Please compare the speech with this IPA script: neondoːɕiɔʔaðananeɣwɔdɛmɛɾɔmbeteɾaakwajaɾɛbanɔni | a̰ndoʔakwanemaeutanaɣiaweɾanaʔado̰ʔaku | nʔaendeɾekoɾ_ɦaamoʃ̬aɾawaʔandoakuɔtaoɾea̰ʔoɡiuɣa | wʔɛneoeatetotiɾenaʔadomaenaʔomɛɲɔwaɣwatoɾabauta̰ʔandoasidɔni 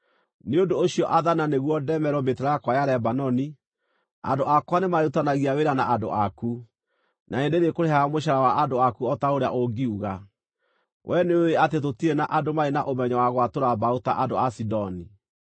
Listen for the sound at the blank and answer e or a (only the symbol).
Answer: e